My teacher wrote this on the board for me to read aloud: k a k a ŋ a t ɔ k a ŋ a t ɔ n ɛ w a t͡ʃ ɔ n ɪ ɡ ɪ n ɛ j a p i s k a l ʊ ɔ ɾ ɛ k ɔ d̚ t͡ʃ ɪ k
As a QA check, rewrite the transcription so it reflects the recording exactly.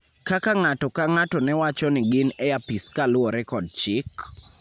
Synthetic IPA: k a k a ŋ a t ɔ k a ŋ a t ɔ n ɛ w a t͡ʃ ɔ n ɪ ɡ ɪ n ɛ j a p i s k a l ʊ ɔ ɾ ɛ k ɔ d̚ t͡ʃ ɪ k